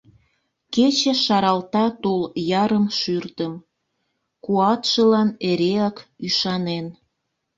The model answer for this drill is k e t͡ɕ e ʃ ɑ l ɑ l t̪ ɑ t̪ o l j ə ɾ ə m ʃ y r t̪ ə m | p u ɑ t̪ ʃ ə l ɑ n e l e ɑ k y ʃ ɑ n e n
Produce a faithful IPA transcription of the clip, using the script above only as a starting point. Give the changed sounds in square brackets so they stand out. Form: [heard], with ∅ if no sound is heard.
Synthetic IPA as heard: k e t͡ɕ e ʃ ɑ [ɾ] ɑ l t̪ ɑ t̪ o l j [ɑ] ɾ ə m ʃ y r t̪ ə m | [k] u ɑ t̪ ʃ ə l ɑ n e [ɾ] e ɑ k y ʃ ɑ n e n